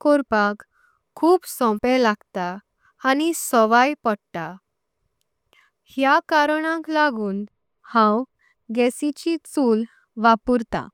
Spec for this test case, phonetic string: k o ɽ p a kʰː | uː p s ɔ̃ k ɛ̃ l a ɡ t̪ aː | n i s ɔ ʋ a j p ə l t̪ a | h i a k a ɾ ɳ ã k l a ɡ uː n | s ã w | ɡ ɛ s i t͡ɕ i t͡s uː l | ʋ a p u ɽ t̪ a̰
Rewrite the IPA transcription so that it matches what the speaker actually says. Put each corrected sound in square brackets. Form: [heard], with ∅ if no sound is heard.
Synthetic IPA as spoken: k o [ɾ] p a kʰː | uː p s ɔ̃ [p] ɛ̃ l a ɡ t̪ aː | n i s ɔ ʋ a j p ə [ɽ] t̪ a | h [j] a k a ɾ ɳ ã k l a ɡ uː n | [h] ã w | ɡ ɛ s i t͡ɕ i t͡s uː l | ʋ a p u [ɾ] t̪ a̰